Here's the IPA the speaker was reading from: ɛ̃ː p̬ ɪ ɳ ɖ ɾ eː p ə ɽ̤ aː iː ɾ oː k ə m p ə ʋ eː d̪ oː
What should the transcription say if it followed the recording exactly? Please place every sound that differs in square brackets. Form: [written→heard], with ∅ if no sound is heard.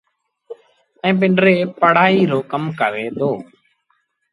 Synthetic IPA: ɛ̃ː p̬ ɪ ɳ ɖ ɾ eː p ə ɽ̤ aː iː ɾ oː k ə m [p→k] ə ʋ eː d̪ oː